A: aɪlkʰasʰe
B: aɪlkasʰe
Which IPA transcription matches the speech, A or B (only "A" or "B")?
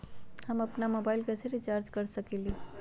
B